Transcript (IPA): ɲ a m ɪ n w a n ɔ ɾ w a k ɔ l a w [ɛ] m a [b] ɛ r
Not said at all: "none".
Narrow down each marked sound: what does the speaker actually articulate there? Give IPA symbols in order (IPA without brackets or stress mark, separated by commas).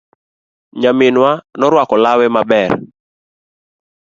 ɛ, b